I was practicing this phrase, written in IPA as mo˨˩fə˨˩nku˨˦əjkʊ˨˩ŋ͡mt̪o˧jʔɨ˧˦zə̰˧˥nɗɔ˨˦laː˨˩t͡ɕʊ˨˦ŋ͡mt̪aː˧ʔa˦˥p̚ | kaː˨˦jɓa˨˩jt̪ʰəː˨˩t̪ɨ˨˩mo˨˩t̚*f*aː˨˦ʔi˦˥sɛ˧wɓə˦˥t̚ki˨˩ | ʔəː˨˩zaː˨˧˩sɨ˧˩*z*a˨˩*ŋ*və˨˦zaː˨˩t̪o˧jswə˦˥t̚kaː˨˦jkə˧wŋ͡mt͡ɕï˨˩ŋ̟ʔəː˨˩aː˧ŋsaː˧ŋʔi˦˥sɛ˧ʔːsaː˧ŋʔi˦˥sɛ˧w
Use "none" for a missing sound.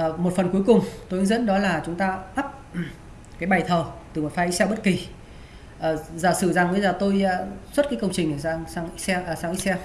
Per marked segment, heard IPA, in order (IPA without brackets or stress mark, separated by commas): f, z, ŋ